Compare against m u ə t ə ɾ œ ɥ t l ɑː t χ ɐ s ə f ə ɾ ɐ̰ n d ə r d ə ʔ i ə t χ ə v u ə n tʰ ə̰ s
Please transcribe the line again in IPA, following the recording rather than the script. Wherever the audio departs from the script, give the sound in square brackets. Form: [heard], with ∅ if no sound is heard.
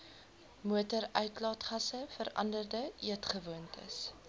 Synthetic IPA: m u ə t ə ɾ œ ɥ t l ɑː t χ ɐ s ə f ə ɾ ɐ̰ n d ə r d ə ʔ i ə t χ ə v u ə n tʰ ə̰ s